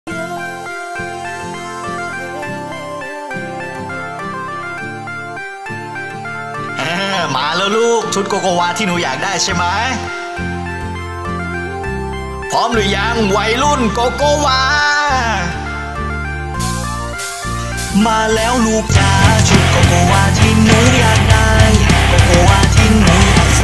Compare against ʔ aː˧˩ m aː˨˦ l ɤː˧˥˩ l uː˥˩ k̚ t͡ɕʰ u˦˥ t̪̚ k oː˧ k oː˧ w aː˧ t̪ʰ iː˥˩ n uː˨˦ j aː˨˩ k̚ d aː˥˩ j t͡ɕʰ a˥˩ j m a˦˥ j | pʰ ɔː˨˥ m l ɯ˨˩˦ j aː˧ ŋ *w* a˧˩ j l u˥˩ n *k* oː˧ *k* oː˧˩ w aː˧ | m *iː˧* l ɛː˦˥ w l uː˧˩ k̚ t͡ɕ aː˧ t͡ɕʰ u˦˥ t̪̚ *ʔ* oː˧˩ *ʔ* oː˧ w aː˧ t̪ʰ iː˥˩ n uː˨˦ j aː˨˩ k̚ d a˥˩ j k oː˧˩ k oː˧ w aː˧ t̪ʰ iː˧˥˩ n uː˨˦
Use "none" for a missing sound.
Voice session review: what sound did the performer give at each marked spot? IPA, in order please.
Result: w, k, k, aː˧, k, k

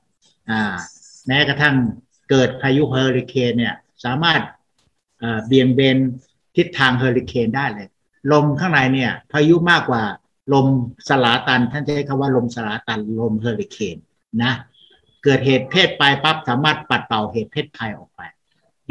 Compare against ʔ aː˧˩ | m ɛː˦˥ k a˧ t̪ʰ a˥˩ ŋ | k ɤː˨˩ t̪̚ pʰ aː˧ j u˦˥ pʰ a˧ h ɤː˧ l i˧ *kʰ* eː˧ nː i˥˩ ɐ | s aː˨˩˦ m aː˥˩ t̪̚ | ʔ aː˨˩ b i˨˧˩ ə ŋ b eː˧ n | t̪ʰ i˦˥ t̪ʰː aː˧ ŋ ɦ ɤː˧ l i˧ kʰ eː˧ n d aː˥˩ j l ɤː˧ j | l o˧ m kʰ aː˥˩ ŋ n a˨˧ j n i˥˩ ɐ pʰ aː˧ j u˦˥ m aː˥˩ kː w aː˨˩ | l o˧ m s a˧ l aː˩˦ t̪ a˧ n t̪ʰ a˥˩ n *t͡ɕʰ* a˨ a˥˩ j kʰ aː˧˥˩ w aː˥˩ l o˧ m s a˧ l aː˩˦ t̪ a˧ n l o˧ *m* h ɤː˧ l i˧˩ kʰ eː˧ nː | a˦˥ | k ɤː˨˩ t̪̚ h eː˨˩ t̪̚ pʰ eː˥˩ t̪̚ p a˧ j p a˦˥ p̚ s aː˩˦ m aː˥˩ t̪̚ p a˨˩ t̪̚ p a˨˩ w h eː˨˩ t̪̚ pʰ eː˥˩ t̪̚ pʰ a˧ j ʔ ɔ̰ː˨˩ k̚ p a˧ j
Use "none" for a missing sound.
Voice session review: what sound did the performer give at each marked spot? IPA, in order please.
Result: kʰ, t͡ɕ, m

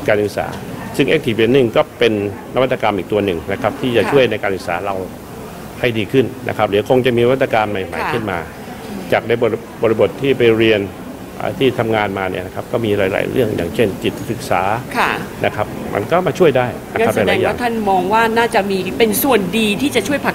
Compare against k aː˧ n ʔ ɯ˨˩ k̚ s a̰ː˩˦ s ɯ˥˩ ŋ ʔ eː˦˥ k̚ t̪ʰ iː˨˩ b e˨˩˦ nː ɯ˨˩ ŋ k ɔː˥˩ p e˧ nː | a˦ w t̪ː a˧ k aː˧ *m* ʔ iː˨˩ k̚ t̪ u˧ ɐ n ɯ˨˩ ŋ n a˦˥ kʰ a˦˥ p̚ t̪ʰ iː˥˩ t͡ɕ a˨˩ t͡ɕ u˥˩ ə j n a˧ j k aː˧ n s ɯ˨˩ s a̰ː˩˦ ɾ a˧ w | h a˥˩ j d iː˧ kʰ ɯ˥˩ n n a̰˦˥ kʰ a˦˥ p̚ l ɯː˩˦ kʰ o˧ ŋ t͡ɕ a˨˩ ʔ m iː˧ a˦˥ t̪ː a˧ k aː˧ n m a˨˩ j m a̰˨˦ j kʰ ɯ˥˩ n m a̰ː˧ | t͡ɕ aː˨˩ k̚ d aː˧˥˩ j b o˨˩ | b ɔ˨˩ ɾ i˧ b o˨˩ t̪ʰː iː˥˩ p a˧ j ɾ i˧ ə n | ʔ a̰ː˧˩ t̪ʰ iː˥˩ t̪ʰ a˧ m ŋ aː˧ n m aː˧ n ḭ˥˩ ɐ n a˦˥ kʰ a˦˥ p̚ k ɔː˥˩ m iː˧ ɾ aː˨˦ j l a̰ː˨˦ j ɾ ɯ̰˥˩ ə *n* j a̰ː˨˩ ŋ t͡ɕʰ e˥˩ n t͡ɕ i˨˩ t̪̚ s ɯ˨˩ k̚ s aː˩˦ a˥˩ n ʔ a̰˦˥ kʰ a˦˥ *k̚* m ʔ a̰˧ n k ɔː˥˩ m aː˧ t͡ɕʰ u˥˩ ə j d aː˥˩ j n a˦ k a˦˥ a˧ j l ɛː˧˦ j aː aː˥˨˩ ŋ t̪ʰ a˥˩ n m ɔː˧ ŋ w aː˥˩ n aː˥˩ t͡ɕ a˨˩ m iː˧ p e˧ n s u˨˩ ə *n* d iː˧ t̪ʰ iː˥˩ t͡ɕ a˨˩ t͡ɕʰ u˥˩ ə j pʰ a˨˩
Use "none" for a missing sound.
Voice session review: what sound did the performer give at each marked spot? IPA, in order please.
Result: m, ŋ, p̚, n

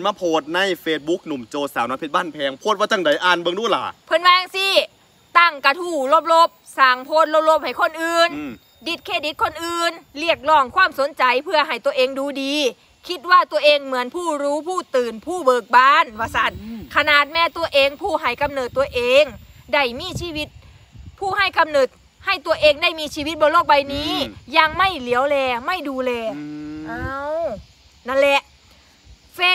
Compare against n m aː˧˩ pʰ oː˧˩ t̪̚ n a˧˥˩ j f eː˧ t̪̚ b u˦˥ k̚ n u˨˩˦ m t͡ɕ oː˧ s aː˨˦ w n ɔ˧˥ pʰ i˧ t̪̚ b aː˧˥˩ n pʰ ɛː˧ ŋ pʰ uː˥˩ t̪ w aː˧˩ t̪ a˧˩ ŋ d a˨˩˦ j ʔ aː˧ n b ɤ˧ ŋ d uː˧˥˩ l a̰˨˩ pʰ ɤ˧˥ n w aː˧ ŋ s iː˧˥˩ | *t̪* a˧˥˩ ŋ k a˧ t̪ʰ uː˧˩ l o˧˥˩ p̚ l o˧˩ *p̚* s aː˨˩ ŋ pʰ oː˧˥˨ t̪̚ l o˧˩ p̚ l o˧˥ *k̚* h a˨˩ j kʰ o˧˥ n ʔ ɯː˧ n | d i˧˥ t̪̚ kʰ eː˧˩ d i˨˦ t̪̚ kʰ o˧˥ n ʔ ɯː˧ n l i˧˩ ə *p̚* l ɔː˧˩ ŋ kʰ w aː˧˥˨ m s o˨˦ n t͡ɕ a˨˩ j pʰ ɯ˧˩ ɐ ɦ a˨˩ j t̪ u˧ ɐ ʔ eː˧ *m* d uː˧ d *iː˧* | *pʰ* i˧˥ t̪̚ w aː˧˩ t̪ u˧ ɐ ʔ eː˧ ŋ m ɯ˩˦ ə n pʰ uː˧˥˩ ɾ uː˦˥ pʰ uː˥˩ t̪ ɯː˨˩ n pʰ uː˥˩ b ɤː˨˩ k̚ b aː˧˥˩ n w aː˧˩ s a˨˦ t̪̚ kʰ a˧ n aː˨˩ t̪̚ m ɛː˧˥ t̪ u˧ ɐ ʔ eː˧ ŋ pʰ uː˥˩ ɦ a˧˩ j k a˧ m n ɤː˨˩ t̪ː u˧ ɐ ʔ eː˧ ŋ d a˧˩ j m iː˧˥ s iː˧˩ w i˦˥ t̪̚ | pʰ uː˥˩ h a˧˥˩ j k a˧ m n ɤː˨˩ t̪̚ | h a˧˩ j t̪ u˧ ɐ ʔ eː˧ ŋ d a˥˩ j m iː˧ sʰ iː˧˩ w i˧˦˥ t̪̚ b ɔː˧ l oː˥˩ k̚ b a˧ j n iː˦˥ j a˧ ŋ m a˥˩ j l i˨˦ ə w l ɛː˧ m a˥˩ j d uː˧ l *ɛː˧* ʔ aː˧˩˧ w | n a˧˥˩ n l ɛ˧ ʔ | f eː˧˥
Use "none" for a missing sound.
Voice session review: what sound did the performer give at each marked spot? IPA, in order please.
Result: t̪, p̚, p̚, k̚, ŋ, iː˧, kʰ, ɛː˧

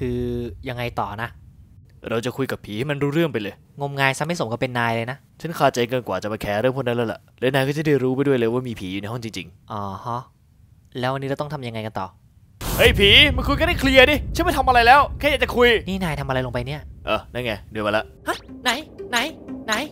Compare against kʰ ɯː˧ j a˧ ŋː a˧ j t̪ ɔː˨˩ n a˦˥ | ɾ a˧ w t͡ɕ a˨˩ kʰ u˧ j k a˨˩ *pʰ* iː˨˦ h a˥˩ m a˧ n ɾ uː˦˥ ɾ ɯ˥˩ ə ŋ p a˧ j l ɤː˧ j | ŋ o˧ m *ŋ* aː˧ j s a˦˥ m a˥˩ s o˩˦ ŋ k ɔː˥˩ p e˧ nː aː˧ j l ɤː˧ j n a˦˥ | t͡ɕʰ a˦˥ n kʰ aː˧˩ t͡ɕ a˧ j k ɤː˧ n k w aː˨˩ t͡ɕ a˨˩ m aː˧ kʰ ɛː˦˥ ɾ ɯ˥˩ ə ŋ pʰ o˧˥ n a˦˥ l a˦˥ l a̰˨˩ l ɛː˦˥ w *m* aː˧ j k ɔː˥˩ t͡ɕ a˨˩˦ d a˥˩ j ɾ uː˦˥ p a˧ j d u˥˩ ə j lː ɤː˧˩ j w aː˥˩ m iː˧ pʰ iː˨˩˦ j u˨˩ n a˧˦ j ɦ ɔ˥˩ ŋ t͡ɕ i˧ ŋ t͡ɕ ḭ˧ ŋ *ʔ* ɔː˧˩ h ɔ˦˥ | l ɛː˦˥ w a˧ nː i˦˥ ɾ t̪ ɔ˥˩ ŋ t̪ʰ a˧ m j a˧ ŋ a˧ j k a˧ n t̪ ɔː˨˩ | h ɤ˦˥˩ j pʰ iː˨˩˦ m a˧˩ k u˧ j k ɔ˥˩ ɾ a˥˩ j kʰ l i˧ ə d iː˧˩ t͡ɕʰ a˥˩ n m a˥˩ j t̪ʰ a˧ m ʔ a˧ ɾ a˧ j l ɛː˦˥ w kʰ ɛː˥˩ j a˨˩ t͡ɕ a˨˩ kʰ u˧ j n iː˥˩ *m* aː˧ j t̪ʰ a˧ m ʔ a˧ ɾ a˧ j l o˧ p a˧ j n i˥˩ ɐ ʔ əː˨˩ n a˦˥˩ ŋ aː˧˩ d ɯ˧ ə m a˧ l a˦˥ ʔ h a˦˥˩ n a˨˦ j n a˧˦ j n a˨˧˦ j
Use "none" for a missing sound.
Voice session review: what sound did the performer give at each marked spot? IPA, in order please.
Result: pʰ, ŋ, n, ʔ, n

